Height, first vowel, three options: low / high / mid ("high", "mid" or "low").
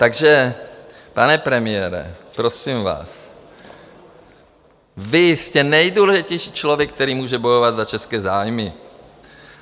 low